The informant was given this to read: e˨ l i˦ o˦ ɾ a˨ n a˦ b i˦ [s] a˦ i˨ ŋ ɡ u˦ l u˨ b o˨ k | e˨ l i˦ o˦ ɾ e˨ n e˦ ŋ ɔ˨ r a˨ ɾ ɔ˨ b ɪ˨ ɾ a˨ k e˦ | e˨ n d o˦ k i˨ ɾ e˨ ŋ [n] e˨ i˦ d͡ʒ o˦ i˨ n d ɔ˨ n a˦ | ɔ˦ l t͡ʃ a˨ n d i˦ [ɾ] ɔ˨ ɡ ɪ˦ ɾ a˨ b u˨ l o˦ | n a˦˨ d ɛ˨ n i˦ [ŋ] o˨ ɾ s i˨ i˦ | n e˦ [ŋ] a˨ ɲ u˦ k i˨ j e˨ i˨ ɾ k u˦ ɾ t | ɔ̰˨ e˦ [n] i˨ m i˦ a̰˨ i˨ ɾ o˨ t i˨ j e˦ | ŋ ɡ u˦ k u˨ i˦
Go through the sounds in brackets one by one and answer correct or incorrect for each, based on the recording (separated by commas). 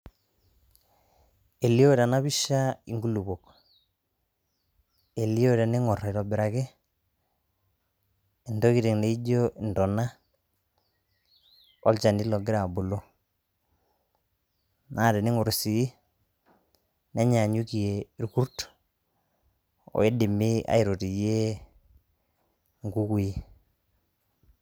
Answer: incorrect, correct, incorrect, correct, incorrect, incorrect